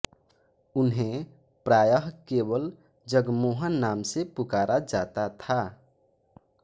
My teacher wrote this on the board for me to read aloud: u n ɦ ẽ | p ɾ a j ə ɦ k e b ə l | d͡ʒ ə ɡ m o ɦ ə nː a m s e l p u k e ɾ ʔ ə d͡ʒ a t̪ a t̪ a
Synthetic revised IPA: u n ɦ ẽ | p ɾ a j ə ɦ k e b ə l | d͡ʒ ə ɡ m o ɦ ə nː a m s e p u k a ɾ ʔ a d͡ʒ a t̪ a t̪ʰ a